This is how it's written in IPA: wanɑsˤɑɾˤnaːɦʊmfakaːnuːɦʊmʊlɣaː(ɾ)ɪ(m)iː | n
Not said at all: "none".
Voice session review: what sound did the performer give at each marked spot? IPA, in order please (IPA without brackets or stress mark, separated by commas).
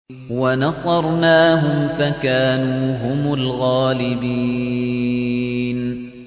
l, b